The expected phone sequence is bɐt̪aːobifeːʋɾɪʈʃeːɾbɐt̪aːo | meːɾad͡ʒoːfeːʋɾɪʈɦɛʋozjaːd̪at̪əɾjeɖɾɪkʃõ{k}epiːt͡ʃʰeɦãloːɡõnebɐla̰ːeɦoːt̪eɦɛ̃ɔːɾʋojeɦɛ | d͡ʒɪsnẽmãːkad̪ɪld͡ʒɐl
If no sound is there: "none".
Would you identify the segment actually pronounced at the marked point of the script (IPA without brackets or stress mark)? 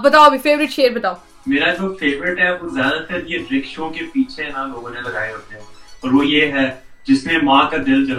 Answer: k